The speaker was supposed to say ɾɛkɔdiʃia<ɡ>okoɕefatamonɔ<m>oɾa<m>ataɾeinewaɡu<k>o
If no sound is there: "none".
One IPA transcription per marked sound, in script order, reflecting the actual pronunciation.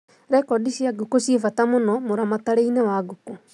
ɡ, m, m, k

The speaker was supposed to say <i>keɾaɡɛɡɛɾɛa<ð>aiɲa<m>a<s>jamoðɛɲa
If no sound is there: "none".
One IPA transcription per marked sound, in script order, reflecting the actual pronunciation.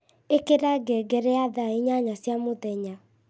e, ð, ɲ, s

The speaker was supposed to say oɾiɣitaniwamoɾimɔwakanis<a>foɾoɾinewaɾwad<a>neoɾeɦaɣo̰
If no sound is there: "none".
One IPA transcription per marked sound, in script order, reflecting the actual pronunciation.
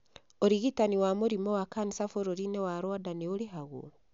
a, a

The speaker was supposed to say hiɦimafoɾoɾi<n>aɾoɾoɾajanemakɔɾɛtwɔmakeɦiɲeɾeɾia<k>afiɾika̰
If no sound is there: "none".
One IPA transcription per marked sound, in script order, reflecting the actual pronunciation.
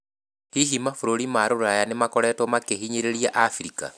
m, ʔ

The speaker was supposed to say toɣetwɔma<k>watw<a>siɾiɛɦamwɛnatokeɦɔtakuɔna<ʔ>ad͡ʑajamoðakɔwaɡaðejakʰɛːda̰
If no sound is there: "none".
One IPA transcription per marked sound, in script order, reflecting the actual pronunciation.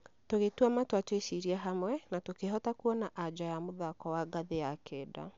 t, e, ʔ

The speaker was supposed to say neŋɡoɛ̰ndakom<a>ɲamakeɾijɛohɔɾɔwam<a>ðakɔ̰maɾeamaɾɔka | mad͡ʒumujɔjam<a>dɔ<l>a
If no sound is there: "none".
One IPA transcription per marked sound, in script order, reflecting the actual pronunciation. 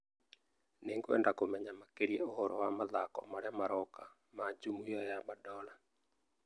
ɛ, a, a, l

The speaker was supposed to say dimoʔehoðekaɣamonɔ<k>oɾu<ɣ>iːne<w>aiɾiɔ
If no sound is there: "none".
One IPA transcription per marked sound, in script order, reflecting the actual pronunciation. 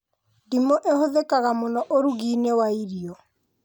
ʔ, ɣ, w

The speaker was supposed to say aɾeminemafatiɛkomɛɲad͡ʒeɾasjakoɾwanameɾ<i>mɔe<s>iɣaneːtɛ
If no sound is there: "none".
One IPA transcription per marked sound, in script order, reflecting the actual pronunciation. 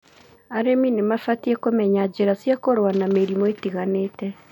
i, t

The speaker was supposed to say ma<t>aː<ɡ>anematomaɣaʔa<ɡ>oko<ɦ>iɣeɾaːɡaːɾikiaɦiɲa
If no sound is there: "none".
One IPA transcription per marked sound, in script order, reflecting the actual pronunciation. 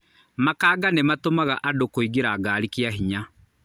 k, ɡ, d, none

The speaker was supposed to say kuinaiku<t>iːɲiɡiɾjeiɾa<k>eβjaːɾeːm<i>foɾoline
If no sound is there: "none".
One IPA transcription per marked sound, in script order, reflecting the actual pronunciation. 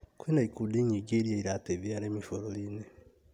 d, t, i

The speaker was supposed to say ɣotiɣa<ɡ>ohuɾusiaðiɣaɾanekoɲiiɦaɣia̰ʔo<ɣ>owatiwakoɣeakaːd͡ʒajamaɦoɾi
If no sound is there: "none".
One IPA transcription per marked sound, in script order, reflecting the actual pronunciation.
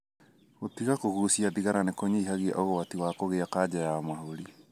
k, ɣ

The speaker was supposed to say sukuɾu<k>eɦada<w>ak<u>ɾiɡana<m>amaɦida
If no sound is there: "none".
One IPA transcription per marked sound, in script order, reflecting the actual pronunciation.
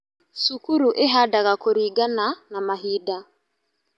ʔ, ɣ, o, n

